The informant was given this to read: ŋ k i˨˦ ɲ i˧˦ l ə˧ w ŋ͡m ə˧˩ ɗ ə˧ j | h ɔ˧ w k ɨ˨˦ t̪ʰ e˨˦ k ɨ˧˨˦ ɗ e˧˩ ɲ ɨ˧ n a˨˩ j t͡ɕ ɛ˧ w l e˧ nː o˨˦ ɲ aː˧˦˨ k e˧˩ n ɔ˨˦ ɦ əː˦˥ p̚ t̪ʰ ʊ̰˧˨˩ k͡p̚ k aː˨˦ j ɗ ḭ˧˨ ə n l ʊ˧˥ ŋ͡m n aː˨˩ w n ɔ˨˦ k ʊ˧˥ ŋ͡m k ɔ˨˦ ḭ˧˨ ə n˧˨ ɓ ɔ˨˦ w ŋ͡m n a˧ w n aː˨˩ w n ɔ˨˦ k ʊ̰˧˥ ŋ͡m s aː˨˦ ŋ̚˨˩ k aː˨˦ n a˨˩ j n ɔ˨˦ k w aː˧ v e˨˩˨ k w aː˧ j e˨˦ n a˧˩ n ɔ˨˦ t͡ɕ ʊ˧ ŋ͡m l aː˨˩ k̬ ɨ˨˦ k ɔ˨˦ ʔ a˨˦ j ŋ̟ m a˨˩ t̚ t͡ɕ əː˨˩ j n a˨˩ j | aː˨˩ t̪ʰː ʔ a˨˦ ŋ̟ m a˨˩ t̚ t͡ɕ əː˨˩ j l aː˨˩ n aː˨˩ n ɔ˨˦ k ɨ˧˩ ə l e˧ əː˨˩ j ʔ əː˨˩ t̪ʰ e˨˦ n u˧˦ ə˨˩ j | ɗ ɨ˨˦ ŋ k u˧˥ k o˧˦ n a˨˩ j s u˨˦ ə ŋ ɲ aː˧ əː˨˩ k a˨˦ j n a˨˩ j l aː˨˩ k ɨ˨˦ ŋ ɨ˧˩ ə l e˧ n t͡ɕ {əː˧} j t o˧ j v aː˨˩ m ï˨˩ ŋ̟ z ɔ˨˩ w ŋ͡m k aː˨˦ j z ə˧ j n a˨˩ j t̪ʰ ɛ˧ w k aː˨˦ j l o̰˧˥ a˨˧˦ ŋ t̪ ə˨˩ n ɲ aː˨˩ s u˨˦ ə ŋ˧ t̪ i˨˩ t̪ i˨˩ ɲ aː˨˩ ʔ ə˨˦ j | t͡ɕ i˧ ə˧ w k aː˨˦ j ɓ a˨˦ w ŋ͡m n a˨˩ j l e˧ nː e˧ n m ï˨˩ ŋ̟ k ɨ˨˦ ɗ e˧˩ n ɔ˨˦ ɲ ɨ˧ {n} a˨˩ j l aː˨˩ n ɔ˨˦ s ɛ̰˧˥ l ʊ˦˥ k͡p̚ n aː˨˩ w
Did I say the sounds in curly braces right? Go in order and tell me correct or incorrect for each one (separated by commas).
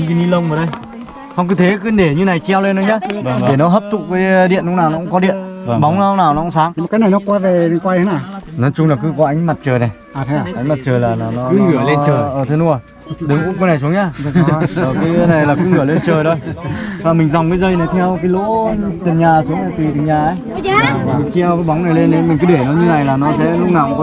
incorrect, correct